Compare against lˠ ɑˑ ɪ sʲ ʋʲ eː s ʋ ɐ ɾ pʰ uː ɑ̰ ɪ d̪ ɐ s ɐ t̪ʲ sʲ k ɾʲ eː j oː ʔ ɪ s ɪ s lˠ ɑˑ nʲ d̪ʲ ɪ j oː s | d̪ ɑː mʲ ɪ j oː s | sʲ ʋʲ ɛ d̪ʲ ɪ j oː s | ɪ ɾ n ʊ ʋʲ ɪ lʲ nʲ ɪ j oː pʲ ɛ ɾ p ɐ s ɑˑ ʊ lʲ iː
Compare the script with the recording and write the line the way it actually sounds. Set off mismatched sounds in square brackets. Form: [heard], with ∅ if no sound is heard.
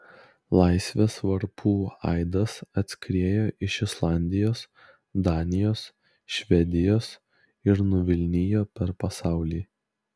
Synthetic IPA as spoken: lˠ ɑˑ ɪ sʲ ʋʲ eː s ʋ ɐ ɾ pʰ uː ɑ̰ ɪ d̪ ɐ s ɐ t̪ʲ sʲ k ɾʲ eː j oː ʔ ɪ [ʃ] ɪ s lˠ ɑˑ nʲ d̪ʲ ɪ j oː s | d̪ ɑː [nʲ] ɪ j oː s | [ʃʲ] ʋʲ ɛ d̪ʲ ɪ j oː s | ɪ ɾ n ʊ ʋʲ ɪ lʲ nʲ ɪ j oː pʲ ɛ ɾ p ɐ s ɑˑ ʊ lʲ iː